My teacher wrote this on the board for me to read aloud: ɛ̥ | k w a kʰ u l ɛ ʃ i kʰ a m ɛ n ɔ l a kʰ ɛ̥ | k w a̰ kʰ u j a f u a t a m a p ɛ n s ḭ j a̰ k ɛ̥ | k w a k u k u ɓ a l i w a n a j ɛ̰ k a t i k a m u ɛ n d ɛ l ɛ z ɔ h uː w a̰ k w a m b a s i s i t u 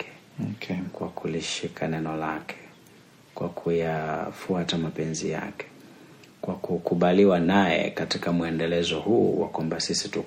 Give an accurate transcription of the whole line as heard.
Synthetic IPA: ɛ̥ | k w a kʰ u l i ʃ i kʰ a n ɛ n ɔ l a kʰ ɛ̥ | k w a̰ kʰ u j a f u a t a m a p ɛ n z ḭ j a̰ k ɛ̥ | k w a k u k u ɓ a l i w a n a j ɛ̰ k a t i k a m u ɛ n d ɛ l ɛ z ɔ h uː w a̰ k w a m b a s i s i t u